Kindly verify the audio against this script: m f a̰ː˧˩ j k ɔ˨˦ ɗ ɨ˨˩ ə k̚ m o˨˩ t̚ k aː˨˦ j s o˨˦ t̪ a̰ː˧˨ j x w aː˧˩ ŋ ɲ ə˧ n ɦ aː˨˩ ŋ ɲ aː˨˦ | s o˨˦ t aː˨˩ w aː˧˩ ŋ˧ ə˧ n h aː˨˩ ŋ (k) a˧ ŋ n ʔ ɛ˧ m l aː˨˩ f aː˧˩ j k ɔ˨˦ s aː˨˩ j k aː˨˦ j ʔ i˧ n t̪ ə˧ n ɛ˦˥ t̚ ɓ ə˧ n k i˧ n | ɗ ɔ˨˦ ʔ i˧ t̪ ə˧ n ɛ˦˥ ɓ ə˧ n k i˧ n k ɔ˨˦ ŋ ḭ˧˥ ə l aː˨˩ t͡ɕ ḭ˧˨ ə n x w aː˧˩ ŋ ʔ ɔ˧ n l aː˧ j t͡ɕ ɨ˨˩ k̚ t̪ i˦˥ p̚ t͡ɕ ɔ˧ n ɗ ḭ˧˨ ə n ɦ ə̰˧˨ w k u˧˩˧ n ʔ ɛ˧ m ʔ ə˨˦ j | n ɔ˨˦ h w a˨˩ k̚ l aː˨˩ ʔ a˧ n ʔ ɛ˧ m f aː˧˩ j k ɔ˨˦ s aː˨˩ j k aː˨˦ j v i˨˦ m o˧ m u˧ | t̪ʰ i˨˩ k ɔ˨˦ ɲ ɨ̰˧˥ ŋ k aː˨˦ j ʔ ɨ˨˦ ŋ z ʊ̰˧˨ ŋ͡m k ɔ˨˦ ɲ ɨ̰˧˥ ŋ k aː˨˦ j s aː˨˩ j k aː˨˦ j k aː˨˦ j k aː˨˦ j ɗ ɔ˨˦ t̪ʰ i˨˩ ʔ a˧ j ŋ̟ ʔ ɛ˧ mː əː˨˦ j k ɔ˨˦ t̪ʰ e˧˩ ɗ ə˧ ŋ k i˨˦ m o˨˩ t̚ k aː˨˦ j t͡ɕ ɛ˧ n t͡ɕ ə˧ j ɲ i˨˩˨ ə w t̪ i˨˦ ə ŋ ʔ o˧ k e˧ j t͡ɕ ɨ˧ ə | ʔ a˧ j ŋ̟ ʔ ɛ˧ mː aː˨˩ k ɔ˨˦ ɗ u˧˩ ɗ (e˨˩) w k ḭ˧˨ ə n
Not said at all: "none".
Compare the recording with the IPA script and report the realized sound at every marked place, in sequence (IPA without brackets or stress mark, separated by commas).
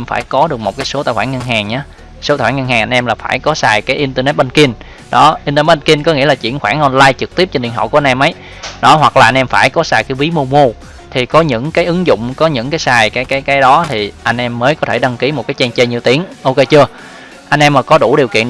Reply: ʔ, i˨˩